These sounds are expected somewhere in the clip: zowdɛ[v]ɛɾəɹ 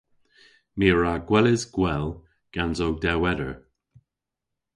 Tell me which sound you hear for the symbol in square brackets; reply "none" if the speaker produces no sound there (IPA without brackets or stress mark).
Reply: w